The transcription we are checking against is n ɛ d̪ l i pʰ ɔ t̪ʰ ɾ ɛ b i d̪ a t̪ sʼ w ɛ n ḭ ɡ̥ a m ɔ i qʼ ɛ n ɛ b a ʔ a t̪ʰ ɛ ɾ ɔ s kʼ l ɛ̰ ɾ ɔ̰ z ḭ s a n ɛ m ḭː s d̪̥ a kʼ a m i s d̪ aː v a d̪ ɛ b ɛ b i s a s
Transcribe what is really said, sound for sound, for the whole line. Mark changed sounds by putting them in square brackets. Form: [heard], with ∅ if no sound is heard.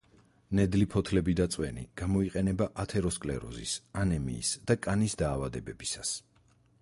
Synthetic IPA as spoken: n ɛ d̪ l i pʰ ɔ t̪ʰ [l] ɛ b i d̪ a t̪ sʼ w ɛ n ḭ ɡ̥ a m ɔ i qʼ ɛ n ɛ b a ʔ a t̪ʰ ɛ ɾ ɔ s kʼ l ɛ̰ ɾ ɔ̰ z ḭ s a n ɛ m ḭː s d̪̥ a kʼ a [n] i s d̪ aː v a d̪ ɛ b ɛ b i s a s